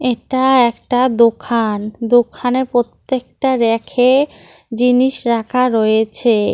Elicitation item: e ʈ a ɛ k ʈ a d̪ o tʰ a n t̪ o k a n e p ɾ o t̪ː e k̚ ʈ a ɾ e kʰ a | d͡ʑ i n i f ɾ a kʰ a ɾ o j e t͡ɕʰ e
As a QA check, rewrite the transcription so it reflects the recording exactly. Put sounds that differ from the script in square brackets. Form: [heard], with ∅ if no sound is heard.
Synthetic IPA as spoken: e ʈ a ɛ k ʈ a d̪ o [kʰ] a n [d̪] o [kʰ] a n e p ɾ o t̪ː e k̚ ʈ a ɾ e kʰ [e] | d͡ʑ i n i [ʃ] ɾ a kʰ a ɾ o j e t͡ɕʰ e